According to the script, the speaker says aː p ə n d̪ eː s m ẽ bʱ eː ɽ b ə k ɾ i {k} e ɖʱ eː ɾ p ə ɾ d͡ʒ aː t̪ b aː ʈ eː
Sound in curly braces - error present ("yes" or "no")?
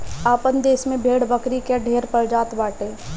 no